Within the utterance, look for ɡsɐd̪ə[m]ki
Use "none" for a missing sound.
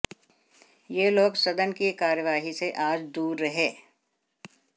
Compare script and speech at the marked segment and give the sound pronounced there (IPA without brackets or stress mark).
n